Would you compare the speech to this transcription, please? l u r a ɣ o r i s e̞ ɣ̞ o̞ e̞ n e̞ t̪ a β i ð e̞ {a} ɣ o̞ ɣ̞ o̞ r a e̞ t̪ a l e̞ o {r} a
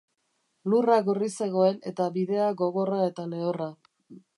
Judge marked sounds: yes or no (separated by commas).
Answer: yes, yes